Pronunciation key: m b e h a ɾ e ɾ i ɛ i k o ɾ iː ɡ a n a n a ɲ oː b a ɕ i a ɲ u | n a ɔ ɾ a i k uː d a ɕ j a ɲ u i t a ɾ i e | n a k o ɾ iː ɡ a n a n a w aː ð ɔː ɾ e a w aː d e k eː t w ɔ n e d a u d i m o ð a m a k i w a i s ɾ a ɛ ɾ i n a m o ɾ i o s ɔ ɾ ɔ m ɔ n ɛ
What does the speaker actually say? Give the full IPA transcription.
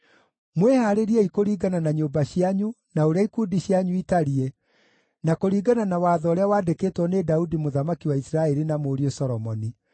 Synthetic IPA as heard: m w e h a ɾ e ɾ i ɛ i k o ɾ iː ɡ a n a n a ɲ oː b a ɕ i a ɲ u | n a o ɾ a i k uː d i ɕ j a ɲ u i t a ɾ i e | n a k o ɾ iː ɡ a n a n a w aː ð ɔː ɾ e a w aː d e k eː t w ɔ n e d a u d i m o ð a m a k i w a i s ɾ a ɛ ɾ i n a m o ɾ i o s ɔ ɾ ɔ m ɔ n i